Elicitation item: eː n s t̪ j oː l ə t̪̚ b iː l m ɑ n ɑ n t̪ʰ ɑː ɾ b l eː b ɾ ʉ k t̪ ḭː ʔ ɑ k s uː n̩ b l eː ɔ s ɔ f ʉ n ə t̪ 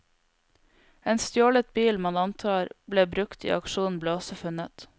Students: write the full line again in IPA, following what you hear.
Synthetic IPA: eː n s t̪ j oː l ə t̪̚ b iː l m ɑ n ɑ n t̪ʰ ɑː ɾ b l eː b ɾ ʉ k t̪ ḭː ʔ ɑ k ʃ uː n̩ b l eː ɔ s ɔ f ʉ n ə t̪